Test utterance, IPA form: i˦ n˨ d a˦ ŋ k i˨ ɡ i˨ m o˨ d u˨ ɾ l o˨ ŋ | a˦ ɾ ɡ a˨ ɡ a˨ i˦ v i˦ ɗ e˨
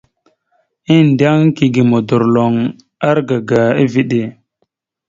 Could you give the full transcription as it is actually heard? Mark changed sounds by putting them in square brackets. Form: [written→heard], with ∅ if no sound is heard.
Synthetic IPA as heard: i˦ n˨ d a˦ ŋ k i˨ ɡ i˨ m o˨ d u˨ ɾ l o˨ ŋ | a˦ ɾ ɡ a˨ ɡ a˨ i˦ v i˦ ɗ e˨